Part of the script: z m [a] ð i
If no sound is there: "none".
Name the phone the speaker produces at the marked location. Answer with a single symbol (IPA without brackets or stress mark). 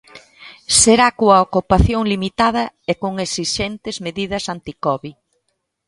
e